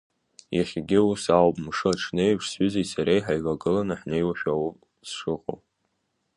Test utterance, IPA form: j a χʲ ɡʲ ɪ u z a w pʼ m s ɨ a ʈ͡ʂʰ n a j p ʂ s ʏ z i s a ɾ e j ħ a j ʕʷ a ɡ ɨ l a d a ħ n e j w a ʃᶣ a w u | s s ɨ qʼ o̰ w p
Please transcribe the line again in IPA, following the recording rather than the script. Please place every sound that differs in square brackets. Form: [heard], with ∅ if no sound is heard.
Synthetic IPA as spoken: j a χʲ ɡʲ ɪ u [s] a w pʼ m [ʂ] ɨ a ʈ͡ʂʰ n [e] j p ʂ s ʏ z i s a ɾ e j ħ a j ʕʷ a ɡ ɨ l a [n] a ħ n e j w a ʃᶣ a w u | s [ʂ] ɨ qʼ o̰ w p